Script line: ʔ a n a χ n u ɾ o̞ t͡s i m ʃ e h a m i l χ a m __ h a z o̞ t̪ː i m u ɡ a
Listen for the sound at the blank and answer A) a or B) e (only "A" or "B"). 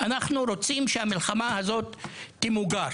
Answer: A